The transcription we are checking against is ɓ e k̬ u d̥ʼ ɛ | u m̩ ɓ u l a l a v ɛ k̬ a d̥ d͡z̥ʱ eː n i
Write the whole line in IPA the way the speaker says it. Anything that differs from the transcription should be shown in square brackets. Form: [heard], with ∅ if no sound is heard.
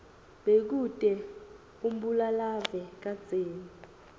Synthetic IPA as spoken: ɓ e k̬ u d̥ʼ ɛ | u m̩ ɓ u l a l a v ɛ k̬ a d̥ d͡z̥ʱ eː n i